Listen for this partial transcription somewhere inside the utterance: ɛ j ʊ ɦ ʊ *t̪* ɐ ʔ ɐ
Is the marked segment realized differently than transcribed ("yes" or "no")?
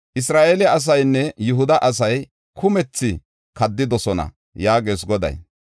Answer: yes